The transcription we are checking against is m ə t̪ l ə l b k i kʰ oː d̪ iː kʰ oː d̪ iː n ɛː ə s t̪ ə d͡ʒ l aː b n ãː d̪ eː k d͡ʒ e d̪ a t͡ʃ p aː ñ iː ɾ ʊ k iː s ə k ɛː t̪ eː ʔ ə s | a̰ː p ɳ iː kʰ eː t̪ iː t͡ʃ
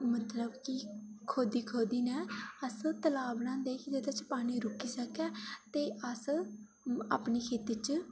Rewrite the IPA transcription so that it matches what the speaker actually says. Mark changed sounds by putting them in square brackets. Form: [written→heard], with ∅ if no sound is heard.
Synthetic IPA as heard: m ə t̪ l ə [l→∅] b k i kʰ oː d̪ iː kʰ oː d̪ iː n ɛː ə s t̪ ə [d͡ʒ→∅] l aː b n ãː d̪ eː k d͡ʒ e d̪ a t͡ʃ p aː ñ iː ɾ ʊ k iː s ə k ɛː t̪ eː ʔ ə s | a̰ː p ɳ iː kʰ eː t̪ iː t͡ʃ